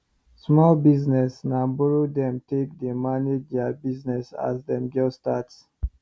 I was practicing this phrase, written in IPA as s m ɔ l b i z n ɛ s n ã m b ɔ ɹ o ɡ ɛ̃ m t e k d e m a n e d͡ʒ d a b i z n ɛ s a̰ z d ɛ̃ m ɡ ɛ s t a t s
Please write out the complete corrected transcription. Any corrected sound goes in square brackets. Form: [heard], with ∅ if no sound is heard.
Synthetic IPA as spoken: s m ɔ l b i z n ɛ s n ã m b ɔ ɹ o [d] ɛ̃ m t e k d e m a n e d͡ʒ d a b i z n ɛ s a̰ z d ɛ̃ m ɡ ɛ s t a t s